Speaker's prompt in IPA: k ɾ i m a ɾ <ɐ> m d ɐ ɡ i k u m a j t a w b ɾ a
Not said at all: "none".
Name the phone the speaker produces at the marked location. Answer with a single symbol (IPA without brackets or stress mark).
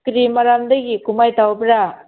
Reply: a